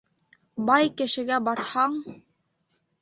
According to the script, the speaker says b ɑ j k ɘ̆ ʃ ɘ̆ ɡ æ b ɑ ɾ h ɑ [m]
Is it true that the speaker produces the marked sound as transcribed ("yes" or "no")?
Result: no